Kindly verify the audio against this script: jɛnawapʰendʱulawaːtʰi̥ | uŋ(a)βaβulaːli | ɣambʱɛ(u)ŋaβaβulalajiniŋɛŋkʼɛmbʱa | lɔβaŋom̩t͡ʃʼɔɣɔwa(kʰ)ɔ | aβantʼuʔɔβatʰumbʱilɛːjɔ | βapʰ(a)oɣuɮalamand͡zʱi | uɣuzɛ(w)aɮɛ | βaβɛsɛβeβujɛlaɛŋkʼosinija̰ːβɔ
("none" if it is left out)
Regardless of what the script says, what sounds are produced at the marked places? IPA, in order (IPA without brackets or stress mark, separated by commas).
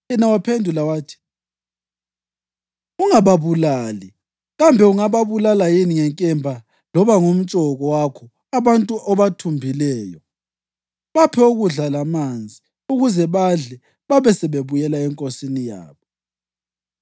a, u, kʰ, ɛ, β